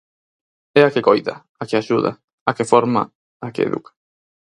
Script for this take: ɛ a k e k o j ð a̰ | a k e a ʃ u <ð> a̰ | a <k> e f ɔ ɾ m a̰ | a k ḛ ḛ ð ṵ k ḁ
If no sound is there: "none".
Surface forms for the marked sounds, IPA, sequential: ð, k

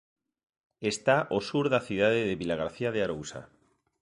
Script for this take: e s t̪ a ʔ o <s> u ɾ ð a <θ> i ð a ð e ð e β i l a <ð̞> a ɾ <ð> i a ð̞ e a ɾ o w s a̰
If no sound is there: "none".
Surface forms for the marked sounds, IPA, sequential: s, θ, ɣ̞, θ

